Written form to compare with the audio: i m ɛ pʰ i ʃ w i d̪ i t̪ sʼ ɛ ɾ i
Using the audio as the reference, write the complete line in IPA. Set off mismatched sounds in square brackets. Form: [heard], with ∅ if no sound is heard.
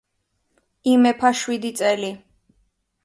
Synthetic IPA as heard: i m ɛ pʰ [a] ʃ w i d̪ i t̪ sʼ ɛ [l] i